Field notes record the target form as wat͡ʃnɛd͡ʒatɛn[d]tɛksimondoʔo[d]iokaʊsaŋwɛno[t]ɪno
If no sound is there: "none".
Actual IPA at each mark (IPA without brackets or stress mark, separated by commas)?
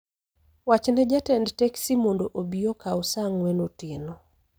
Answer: d, b, t